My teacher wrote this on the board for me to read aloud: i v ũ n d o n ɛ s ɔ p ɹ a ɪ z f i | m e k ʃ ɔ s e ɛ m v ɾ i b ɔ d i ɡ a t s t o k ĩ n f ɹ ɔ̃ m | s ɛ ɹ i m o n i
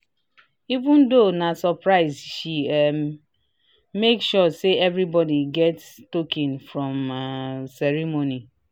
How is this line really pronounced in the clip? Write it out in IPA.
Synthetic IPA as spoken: i v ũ n d o n a s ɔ p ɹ a ɪ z ʃ i | m e k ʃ ɔ s e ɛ v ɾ i b ɔ d i ɡ ɛ t s t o k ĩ n f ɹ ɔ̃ m | s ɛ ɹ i m o n i